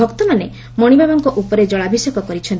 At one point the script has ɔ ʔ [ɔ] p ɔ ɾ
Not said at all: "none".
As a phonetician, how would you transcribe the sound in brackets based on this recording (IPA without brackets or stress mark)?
u